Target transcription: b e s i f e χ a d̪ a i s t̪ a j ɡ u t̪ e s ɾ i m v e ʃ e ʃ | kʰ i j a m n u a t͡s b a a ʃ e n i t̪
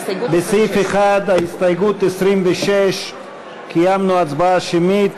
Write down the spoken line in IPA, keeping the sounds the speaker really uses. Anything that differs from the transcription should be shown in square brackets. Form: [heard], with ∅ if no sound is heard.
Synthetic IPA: b e s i f e χ a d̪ a i s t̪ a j ɡ u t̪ e s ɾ i m v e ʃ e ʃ | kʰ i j a m n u a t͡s b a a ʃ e [m] i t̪